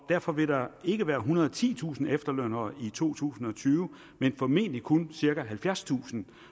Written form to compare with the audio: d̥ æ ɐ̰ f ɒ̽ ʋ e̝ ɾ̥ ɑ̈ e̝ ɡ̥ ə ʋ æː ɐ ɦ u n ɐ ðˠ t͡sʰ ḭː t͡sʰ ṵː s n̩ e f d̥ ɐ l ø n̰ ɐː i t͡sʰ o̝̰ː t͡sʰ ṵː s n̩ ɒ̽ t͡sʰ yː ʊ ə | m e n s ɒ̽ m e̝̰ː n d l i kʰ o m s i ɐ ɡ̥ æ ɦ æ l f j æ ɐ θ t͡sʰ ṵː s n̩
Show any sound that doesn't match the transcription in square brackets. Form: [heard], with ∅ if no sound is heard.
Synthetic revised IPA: d̥ æ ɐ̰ f ɒ̽ ʋ e̝ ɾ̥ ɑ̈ e̝ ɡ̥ ə ʋ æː ɐ ɦ u n ɐ ðˠ t͡sʰ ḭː t͡sʰ ṵː s n̩ e f d̥ ɐ l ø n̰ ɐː i t͡sʰ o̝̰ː t͡sʰ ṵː s n̩ ɒ̽ t͡sʰ yː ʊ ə | m e n [f] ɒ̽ m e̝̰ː n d l i kʰ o [n] s i ɐ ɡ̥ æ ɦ æ l f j æ ɐ [s] t͡sʰ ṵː s n̩